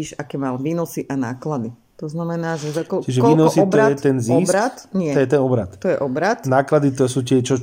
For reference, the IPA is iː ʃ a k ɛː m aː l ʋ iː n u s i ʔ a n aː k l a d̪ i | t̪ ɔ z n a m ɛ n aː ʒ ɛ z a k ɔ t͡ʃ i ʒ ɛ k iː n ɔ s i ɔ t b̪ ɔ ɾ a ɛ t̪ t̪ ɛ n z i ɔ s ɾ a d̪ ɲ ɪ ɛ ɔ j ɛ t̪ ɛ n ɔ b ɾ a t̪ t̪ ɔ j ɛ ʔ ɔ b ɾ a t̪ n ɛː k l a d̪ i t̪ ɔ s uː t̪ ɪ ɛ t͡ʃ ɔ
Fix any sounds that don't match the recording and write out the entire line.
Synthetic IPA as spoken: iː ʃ a k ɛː m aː l ʋ iː n ɔ s i ʔ a n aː k l a d̪ i | t̪ ɔ z n a m ɛ n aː ʒ ɛ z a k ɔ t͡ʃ i ʒ ɛ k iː n ɔ s i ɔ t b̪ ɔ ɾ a ɛ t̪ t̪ ɛ n z i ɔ s ɾ a t̪ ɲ ɪ ɛ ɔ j ɛ t̪ ɛ n ɔ b ɾ a t̪ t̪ ɔ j ɛ ʔ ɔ b ɾ a t̪ n aː k l a d̪ i t̪ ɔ s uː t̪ ɪ ɛ t͡ʃ ɔ